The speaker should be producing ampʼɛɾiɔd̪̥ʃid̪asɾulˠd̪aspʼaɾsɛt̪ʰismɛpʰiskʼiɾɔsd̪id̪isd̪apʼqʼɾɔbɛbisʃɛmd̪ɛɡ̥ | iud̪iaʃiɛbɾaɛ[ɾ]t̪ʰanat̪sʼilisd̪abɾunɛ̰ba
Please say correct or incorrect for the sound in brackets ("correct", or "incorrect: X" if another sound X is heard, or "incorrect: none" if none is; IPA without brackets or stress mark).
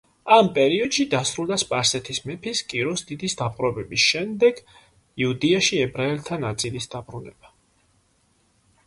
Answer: incorrect: l